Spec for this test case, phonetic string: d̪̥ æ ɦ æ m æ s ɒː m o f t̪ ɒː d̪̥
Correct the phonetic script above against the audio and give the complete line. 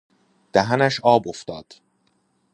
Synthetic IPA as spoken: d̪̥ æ ɦ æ n æ ʃ ɒː b o f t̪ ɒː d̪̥